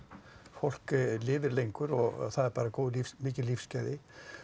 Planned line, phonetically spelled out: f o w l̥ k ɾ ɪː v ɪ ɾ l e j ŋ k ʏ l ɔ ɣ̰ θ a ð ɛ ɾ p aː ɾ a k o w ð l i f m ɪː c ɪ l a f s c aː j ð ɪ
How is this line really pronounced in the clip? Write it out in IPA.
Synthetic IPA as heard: f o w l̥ k l ɪː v ɪ ɾ l e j ŋ k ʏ ɾ ɔ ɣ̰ θ a ð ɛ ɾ p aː ɾ a k o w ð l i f m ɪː c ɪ l i f s c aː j ð ɪ